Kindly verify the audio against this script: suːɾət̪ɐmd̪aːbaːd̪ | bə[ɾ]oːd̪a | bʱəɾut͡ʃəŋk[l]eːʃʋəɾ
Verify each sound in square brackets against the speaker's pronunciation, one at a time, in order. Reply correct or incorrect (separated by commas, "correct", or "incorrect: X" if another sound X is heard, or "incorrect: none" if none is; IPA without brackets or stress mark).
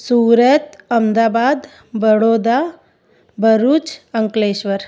incorrect: ɽ, correct